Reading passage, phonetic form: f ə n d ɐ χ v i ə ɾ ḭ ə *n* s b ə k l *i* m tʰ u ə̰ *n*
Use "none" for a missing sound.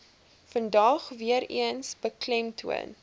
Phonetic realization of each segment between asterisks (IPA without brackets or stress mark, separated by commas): n, ɛ, n